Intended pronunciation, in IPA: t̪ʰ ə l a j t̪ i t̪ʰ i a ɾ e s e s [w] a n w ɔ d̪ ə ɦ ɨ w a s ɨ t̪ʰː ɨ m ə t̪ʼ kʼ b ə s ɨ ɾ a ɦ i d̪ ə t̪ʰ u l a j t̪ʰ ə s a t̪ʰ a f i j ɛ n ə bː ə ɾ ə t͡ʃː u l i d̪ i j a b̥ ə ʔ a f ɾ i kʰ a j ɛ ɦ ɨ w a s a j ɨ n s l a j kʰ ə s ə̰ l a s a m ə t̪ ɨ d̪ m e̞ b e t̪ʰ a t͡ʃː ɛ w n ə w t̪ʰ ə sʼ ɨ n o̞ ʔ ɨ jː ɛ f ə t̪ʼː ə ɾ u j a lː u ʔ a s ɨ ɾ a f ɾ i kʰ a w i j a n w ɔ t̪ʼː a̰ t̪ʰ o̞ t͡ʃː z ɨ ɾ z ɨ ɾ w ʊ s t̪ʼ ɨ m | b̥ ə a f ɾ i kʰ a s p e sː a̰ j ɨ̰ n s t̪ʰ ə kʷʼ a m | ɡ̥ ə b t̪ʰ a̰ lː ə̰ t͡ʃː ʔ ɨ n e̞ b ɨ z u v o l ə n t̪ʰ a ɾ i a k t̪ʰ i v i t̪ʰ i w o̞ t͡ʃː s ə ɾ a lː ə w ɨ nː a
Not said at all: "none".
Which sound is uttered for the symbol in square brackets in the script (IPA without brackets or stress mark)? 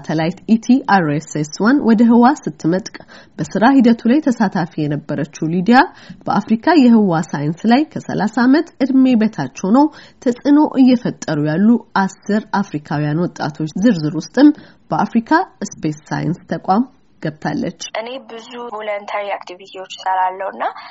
w